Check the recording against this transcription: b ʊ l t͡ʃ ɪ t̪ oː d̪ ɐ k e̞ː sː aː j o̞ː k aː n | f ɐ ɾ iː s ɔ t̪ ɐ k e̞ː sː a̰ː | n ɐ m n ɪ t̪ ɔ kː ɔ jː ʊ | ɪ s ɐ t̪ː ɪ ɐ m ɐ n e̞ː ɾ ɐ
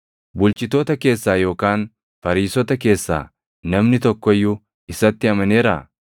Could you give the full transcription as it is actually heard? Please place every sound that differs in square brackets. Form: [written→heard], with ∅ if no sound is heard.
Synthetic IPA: b ʊ l t͡ʃ ɪ t̪ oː [d̪→t̪] ɐ k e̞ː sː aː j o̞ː k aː n | f ɐ ɾ iː s ɔ t̪ ɐ k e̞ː sː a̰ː | n ɐ m n ɪ t̪ ɔ kː ɔ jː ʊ | ɪ s ɐ t̪ː ɪ ɐ m ɐ n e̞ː ɾ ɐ

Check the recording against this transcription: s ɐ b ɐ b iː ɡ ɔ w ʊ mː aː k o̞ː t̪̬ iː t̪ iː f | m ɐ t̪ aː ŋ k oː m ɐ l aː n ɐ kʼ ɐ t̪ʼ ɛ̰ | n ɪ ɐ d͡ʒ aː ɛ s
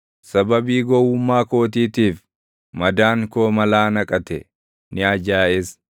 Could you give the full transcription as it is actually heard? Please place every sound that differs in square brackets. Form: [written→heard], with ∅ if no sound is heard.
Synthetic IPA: s ɐ b ɐ b iː ɡ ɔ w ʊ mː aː k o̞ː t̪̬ iː t̪ iː f | m ɐ [t̪→d̪] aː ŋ k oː m ɐ l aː n ɐ kʼ ɐ [t̪ʼ→t̪] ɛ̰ | n ɪ ɐ d͡ʒ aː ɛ s

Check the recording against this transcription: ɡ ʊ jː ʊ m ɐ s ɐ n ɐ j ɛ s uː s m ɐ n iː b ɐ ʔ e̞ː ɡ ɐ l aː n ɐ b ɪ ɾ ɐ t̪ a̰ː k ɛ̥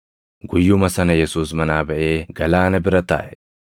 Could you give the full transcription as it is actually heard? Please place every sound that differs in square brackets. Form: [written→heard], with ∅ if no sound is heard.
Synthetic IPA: ɡ ʊ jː ʊ m ɐ s ɐ n ɐ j ɛ s uː s m ɐ n [iː→aː] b ɐ ʔ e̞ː ɡ ɐ l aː n ɐ b ɪ ɾ ɐ t̪ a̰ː [k→ʔ] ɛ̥

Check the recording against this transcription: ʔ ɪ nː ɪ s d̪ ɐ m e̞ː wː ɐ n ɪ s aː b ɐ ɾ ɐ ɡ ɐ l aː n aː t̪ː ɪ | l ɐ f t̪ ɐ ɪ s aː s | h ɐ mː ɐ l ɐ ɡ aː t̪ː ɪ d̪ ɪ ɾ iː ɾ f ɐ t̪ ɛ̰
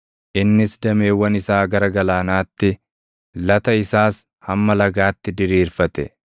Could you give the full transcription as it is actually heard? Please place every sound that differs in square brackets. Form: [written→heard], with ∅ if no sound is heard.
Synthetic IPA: ʔ ɪ nː ɪ s d̪ ɐ m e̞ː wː ɐ n ɪ s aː [b→ɡ] ɐ ɾ ɐ ɡ ɐ l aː n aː t̪ː ɪ | l ɐ [f→∅] t̪ ɐ ɪ s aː s | h ɐ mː ɐ l ɐ ɡ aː t̪ː ɪ d̪ ɪ ɾ iː ɾ f ɐ t̪ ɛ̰

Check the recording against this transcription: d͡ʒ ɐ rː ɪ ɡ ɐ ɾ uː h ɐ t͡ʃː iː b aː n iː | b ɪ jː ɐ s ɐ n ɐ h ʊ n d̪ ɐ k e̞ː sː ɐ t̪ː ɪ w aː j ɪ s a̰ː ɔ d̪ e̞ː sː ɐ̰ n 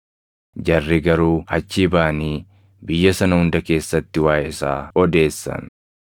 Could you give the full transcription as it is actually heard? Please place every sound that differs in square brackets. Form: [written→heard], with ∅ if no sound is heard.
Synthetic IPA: d͡ʒ ɐ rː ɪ ɡ ɐ ɾ uː h ɐ t͡ʃː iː b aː n iː | b ɪ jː ɐ s ɐ n ɐ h ʊ n d̪ ɐ k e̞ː sː ɐ t̪ː ɪ w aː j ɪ s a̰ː ɔ d̪ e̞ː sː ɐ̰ n

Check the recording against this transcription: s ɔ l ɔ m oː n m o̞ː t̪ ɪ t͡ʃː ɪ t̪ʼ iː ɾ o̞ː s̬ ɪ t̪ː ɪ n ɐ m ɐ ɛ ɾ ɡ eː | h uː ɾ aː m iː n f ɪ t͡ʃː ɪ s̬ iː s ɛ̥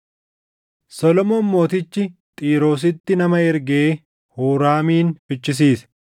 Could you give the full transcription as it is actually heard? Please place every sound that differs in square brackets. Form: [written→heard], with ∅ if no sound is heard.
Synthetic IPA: s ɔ l ɔ m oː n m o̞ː t̪ ɪ t͡ʃː ɪ t̪ʼ iː ɾ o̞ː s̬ ɪ t̪ː ɪ n ɐ m ɐ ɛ ɾ ɡ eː | h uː ɾ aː m iː n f ɪ t͡ʃː ɪ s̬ iː s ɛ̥

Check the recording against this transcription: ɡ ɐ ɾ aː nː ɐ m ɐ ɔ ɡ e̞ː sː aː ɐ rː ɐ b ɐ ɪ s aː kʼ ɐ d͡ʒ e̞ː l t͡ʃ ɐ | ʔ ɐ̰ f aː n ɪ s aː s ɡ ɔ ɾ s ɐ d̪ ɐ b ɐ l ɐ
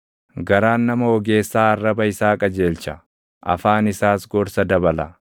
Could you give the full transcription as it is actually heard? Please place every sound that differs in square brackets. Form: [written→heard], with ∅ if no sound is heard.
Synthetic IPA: ɡ ɐ ɾ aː nː ɐ m ɐ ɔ ɡ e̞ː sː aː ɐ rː ɐ b ɐ ɪ s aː kʼ ɐ d͡ʒ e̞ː l t͡ʃ ɐ | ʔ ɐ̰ f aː n ɪ s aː s ɡ ɔ ɾ s ɐ d̪ ɐ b ɐ l ɐ

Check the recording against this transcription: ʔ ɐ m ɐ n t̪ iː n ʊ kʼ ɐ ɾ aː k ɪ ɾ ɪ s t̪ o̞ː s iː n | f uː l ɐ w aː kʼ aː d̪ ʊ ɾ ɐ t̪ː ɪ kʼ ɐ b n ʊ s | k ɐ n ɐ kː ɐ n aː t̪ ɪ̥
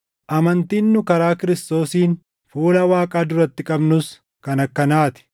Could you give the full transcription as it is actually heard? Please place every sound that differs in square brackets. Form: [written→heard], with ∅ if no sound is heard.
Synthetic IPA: ʔ ɐ m ɐ n t̪ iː [n→nː] ʊ [kʼ→k] ɐ ɾ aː k ɪ ɾ ɪ s t̪ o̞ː s iː n | f uː l ɐ w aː kʼ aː d̪ ʊ ɾ ɐ t̪ː ɪ kʼ ɐ b n ʊ s | k ɐ n ɐ kː ɐ n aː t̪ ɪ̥

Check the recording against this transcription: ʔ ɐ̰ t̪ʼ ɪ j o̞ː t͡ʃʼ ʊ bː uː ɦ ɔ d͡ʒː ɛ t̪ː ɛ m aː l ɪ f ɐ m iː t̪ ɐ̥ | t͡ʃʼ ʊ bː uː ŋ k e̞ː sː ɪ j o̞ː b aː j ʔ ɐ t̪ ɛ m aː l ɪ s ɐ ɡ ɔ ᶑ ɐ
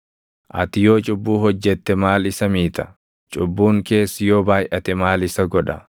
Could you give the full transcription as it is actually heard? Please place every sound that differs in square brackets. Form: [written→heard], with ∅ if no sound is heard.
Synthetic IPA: ʔ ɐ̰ [t̪ʼ→t̪] ɪ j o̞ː t͡ʃʼ ʊ bː uː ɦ ɔ d͡ʒː ɛ t̪ː ɛ m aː l ɪ [f→s] ɐ m iː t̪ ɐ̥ | t͡ʃʼ ʊ bː uː ŋ k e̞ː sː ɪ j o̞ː b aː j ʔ ɐ t̪ ɛ m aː l ɪ s ɐ ɡ ɔ ᶑ ɐ

